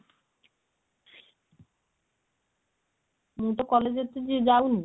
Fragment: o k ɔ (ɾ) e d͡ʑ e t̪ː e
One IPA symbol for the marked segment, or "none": l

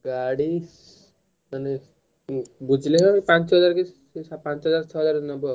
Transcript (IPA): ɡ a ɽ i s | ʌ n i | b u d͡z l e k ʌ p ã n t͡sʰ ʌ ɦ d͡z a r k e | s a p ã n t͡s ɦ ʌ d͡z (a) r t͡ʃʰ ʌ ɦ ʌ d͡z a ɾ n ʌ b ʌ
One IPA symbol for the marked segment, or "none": a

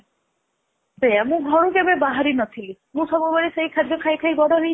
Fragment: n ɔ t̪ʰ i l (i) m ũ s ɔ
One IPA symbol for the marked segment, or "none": i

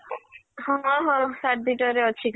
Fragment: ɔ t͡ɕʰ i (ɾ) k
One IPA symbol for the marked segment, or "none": none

